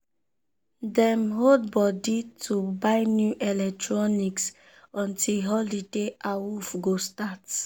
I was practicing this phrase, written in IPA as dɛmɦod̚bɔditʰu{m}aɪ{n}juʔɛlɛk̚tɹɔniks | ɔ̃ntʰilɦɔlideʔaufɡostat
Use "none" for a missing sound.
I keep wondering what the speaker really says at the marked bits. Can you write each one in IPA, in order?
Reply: b, n

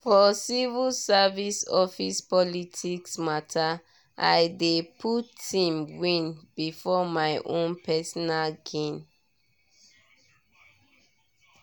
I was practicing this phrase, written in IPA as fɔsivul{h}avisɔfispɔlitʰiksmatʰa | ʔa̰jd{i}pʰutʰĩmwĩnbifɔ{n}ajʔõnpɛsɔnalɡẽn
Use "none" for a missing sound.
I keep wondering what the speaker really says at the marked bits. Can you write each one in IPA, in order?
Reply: s, e, m

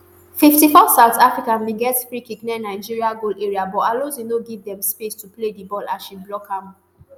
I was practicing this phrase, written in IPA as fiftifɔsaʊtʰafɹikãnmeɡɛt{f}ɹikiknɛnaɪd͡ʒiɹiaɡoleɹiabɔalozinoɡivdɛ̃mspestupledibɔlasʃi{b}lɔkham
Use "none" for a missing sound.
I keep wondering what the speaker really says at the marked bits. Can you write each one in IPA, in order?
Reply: f, b

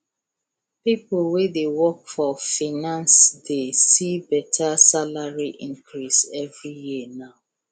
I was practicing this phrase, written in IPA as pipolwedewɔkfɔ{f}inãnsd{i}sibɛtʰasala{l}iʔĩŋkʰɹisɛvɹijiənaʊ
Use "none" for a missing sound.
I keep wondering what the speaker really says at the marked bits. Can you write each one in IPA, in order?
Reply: f, e, ɹ

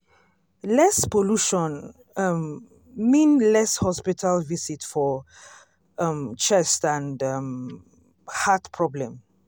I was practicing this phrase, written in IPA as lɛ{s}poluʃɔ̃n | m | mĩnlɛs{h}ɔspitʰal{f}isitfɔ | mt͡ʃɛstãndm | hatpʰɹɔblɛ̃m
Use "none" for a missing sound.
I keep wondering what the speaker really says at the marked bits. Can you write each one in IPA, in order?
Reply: s, h, v

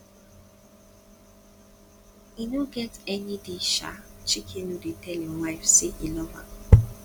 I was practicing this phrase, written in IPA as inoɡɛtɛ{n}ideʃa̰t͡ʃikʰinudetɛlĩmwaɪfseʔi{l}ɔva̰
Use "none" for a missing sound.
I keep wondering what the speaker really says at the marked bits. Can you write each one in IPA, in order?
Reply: n, l

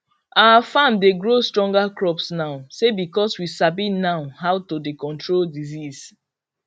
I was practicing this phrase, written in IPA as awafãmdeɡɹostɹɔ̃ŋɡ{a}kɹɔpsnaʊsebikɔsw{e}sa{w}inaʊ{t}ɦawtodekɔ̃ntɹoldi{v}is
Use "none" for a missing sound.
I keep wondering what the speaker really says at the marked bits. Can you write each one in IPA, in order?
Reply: a, i, b, none, z

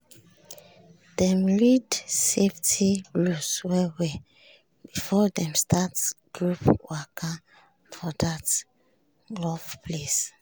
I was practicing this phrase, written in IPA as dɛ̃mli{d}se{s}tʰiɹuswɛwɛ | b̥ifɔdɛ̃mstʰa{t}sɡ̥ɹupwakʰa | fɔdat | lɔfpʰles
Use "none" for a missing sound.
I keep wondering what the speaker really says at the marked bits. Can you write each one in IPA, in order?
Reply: d, f, t

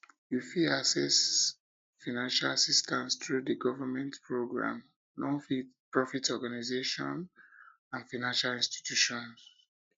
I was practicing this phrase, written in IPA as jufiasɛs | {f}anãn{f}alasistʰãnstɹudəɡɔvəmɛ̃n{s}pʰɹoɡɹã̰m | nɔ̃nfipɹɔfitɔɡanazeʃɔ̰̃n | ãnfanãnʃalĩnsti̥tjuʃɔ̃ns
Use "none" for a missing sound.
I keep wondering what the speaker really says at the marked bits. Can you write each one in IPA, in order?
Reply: f, ʃ, t

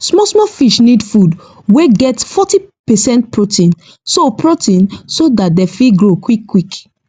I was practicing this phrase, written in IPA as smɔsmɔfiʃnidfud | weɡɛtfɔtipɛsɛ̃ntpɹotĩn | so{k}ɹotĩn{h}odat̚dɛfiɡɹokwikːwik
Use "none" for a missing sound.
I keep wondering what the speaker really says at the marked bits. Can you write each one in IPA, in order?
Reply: p, s

